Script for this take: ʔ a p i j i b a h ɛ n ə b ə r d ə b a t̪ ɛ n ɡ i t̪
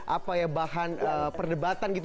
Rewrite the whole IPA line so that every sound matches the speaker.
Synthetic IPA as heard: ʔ a p a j a b a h a n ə p ə r d ə b a t̪ a n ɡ i t̪

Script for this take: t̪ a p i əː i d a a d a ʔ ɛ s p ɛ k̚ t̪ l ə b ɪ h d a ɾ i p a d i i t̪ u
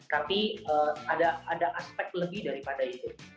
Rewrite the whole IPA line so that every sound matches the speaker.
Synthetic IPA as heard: t̪ a p i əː a d a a d a ʔ a s p ɛ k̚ t̪ l ə b ɪ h d a ɾ i p a d a i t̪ u

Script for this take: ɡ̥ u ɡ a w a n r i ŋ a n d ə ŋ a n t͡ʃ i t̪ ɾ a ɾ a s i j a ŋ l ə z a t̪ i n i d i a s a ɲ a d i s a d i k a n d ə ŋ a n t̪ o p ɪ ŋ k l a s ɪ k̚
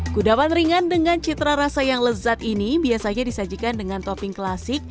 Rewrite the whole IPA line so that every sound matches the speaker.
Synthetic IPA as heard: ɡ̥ u d a w a n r i ŋ a n d ə ŋ a n t͡ʃ i t̪ ɾ a ɾ a s a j a ŋ l ə z a t̪ i n i b i a s a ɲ a d i s a d͡ʒ i k a n d ə ŋ a n t̪ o p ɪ ŋ k l a s ɪ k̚

